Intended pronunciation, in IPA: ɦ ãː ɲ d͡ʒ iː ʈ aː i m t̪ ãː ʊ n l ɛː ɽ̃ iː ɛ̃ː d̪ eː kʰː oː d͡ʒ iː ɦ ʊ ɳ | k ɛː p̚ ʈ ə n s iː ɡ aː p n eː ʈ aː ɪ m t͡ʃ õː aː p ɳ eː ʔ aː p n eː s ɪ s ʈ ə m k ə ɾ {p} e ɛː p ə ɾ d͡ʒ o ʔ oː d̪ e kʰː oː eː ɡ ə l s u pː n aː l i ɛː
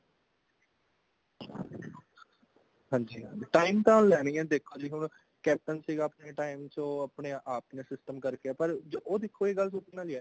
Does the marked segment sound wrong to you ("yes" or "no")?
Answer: yes